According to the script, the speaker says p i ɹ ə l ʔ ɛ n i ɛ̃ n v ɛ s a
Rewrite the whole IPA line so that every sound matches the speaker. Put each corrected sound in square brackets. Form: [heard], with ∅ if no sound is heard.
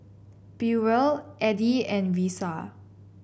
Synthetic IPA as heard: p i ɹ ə l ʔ ɛ [d] i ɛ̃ n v [i] s a